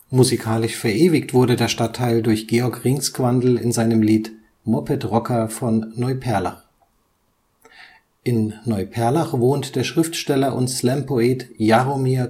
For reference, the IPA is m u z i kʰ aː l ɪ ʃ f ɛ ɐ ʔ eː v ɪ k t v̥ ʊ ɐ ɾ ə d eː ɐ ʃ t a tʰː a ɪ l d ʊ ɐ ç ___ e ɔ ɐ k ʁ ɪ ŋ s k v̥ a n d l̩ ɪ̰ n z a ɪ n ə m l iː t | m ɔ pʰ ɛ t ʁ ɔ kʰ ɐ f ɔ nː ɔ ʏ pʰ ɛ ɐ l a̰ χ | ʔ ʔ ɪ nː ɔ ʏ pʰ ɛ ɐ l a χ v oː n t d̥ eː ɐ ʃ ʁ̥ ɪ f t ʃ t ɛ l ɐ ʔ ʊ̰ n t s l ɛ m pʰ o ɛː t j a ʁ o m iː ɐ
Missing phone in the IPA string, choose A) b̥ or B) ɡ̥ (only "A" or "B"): B